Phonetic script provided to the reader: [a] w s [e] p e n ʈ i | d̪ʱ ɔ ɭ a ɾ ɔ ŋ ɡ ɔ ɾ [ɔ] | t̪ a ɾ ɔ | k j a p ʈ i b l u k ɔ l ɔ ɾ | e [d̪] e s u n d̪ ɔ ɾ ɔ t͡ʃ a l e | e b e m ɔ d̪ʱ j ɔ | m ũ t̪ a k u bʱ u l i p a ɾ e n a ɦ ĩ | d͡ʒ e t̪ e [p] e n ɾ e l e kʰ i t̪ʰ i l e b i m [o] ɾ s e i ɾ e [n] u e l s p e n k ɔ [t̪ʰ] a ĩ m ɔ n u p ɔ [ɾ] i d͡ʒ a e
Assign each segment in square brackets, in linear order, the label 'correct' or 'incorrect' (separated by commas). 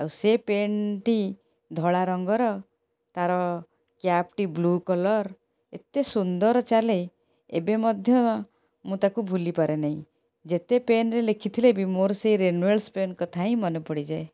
correct, correct, correct, incorrect, correct, correct, correct, correct, incorrect